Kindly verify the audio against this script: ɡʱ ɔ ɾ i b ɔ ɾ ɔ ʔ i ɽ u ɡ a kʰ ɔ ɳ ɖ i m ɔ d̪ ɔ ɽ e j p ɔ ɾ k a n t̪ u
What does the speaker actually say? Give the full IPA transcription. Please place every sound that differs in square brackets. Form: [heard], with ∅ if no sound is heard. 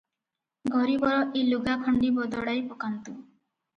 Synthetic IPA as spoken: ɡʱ ɔ ɾ i b ɔ ɾ ɔ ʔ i [l] u ɡ a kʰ ɔ ɳ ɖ i [b] ɔ d̪ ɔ ɽ [a] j p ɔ [∅] k a n t̪ u